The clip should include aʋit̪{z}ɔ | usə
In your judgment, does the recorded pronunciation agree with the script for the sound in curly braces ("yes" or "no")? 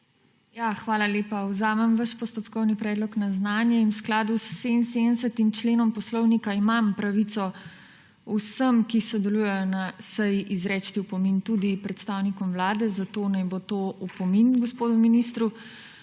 no